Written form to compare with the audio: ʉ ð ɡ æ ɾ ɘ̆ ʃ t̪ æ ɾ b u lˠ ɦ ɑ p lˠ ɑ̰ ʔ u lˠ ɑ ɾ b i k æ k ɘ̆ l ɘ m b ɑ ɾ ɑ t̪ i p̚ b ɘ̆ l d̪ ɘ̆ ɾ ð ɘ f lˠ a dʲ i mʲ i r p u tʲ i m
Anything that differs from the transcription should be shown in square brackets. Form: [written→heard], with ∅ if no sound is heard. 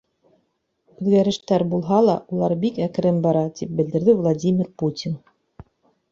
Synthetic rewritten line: ʉ ð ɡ æ ɾ ɘ̆ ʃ t̪ æ ɾ b u lˠ ɦ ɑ [p→∅] lˠ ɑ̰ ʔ u lˠ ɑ ɾ b i k æ k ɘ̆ [l→ɾ] ɘ m b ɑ ɾ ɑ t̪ i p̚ b ɘ̆ l d̪ ɘ̆ ɾ ð ɘ [f→v] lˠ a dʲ i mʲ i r p u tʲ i [m→n]